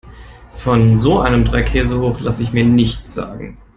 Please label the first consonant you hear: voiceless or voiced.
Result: voiceless